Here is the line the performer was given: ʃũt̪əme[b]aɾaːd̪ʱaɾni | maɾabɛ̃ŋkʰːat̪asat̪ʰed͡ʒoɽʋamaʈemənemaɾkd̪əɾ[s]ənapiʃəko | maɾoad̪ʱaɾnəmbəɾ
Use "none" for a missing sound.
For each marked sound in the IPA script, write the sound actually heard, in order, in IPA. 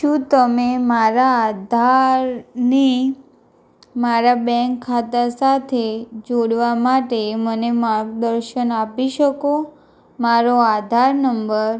m, ʃ

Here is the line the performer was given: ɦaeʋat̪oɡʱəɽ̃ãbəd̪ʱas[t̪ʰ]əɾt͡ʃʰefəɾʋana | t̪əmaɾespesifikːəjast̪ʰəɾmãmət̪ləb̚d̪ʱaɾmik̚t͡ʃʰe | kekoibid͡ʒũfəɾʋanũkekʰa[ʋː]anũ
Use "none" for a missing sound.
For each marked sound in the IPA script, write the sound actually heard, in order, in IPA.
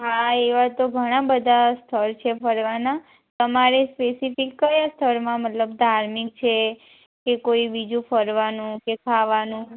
t̪ʰ, ʋ

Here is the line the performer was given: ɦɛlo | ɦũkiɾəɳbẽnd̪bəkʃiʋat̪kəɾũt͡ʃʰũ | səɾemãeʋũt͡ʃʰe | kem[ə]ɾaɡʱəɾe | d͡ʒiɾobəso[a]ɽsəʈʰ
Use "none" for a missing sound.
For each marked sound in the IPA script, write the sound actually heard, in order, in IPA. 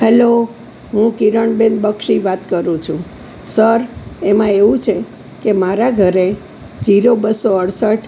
a, ə

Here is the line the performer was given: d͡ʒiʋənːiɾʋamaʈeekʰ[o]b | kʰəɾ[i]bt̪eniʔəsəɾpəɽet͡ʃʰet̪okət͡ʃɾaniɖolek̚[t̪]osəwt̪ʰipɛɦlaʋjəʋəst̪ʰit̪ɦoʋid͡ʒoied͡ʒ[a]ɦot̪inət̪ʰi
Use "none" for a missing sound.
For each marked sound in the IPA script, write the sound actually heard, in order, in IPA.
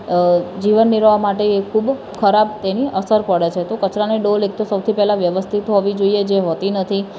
u, a, t̪, e

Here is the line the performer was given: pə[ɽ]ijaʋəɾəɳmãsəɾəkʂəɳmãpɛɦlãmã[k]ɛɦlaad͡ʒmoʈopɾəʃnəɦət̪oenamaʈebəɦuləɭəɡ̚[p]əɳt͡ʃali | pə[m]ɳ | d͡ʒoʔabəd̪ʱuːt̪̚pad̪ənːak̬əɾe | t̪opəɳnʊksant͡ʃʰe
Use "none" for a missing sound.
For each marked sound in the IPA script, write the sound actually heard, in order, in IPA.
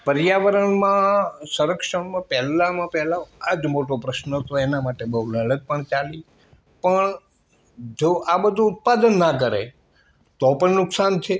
ɾ, p, p, none

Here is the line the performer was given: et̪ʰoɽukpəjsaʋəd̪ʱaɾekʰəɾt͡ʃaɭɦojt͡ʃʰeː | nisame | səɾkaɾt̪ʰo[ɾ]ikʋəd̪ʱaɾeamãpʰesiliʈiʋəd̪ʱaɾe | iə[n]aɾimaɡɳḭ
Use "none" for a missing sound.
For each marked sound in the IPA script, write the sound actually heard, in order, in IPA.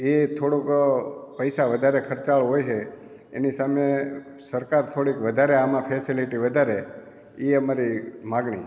ɽ, m

